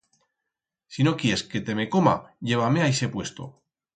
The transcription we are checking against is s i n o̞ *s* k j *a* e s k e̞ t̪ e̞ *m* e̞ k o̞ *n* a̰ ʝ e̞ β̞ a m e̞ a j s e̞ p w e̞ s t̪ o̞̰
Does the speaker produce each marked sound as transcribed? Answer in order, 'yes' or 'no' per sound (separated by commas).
no, no, yes, no